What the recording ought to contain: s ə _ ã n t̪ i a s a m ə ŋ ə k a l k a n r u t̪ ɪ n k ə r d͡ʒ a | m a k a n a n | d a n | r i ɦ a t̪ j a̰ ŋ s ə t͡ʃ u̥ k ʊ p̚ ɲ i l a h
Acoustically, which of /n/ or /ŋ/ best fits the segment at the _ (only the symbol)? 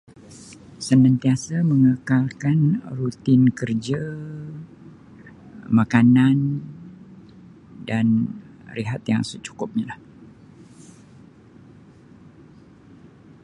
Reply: n